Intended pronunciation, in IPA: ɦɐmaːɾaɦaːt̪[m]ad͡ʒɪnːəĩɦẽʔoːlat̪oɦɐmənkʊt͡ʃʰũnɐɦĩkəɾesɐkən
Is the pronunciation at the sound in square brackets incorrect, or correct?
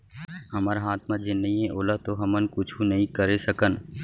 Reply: correct